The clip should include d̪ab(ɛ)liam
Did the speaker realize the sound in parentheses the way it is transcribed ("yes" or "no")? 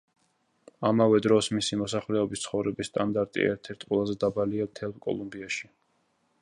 no